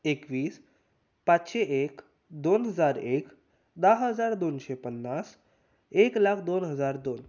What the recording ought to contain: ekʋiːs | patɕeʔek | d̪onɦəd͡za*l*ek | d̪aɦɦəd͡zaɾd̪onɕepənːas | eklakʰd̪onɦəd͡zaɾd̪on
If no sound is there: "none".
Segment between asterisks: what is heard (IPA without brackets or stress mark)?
ɾ